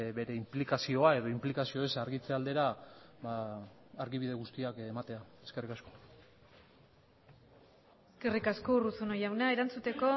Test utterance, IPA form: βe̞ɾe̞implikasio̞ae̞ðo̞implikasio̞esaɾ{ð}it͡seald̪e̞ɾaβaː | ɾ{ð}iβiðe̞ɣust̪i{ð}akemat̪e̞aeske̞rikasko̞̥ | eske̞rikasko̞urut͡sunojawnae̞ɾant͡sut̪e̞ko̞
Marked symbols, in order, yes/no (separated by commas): no, no, no